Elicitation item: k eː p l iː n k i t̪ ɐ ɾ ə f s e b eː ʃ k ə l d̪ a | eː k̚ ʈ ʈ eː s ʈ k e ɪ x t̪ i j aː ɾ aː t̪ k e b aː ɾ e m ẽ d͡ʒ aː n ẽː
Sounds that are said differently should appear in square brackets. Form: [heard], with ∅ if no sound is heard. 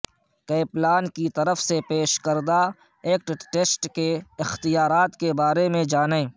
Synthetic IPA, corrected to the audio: k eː p l [aː] n k i t̪ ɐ ɾ ə f s e [p] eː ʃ k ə [ɾ] d̪ a | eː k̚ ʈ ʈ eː s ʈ k e ɪ x t̪ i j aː ɾ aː t̪ k e b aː ɾ e m ẽ d͡ʒ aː n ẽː